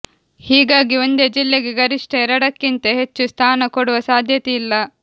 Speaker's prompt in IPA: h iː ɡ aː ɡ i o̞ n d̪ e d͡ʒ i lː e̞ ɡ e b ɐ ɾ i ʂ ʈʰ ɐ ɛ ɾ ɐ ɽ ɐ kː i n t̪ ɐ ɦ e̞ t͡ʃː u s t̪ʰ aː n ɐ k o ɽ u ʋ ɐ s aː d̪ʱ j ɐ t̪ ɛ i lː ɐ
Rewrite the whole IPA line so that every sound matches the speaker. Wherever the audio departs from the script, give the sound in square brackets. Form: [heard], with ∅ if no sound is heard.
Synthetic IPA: h iː ɡ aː ɡ i o̞ n d̪ e d͡ʒ i lː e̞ ɡ e [ɡ] ɐ ɾ i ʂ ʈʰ ɐ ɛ ɾ ɐ ɽ ɐ kː i n t̪ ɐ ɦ e̞ t͡ʃː u s t̪ʰ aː n ɐ k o ɽ u ʋ ɐ s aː d̪ʱ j ɐ t̪ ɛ i lː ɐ